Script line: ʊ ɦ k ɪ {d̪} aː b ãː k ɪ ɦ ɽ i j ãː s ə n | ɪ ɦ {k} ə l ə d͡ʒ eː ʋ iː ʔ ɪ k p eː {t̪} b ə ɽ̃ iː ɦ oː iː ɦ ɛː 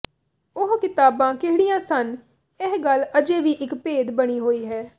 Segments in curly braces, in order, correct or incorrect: incorrect: t̪, incorrect: ɡ, incorrect: d̪

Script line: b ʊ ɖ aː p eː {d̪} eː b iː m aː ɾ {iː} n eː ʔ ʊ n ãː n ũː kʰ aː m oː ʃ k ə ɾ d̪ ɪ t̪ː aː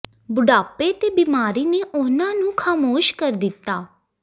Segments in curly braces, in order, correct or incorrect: incorrect: t̪, correct

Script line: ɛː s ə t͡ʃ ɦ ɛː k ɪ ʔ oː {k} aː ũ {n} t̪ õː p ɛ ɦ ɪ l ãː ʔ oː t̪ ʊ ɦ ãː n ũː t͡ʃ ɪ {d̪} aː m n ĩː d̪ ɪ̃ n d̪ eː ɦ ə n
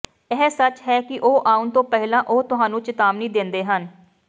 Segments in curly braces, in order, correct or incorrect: incorrect: ʔ, correct, incorrect: t̪

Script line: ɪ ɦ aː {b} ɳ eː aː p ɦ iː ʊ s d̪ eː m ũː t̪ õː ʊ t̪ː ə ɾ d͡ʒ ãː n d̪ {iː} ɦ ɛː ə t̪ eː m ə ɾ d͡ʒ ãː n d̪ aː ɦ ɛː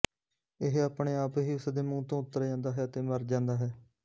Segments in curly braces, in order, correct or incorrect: incorrect: p, incorrect: aː

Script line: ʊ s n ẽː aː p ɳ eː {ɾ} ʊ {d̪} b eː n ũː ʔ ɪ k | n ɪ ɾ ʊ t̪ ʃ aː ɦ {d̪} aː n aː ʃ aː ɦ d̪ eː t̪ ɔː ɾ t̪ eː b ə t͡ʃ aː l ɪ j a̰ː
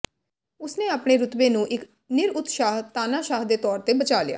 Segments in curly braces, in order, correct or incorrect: correct, incorrect: t̪, incorrect: t̪

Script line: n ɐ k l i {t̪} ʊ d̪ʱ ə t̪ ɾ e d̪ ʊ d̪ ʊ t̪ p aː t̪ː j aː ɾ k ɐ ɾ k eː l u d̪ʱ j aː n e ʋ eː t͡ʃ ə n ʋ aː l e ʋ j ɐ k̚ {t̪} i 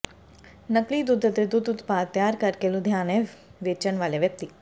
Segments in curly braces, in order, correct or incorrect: incorrect: d̪, correct

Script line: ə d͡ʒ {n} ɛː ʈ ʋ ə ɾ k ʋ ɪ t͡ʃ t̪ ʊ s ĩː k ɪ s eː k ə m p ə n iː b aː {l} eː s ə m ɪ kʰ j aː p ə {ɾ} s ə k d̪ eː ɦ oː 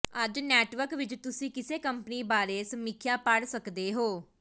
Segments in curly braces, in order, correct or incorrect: correct, incorrect: ɾ, incorrect: ɽ

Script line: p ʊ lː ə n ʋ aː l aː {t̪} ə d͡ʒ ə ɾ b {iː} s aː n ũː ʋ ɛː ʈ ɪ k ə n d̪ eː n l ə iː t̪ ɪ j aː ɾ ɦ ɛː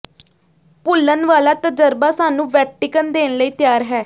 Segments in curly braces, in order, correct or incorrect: correct, incorrect: aː

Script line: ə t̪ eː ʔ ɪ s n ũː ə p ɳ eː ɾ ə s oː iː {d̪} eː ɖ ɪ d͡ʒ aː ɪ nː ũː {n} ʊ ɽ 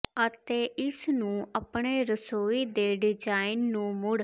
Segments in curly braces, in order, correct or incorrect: correct, incorrect: m

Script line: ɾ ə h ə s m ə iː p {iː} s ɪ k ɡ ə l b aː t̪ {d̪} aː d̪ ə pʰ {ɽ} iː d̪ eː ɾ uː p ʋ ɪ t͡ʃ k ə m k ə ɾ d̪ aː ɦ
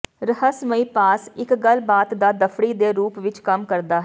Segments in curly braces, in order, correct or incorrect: incorrect: aː, correct, correct

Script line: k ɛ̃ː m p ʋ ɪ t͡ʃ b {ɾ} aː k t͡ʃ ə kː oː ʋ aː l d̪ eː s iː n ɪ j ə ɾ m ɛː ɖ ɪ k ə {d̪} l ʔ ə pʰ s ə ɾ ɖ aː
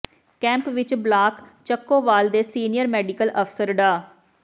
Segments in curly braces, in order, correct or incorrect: incorrect: l, incorrect: none

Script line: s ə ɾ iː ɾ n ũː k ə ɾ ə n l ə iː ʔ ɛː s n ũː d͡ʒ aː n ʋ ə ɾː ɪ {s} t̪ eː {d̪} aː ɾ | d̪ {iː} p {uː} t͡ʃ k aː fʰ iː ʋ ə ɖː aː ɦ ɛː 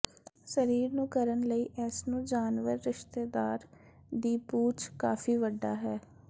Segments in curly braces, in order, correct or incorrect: incorrect: ʃ, correct, correct, correct

